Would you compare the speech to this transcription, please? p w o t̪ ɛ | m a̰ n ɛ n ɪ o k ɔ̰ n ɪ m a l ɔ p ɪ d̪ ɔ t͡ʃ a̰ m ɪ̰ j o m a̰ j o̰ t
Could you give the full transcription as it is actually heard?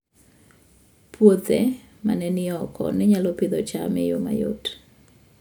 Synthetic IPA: p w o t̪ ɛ | m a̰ n ɛ n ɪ ɔ k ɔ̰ n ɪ ɲ a l ɔ p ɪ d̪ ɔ t͡ʃ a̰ m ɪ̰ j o m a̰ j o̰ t